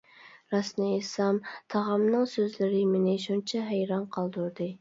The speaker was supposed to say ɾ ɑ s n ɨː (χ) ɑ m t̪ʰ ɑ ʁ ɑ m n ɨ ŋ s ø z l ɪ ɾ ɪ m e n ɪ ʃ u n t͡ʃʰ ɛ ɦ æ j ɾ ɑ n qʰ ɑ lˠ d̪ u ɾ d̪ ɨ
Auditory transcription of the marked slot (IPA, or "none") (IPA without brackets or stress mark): s